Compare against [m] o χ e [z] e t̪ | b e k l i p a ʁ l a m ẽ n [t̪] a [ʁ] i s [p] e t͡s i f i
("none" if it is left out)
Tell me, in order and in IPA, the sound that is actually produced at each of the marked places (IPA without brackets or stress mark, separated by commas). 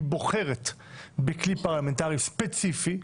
b, ʁ, t̪, ʁ, p